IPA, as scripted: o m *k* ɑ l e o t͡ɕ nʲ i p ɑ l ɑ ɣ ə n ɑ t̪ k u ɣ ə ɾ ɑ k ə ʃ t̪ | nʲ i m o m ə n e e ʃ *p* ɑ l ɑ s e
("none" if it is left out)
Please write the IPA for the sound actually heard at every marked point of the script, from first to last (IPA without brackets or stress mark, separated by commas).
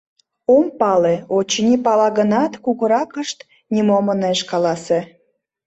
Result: p, k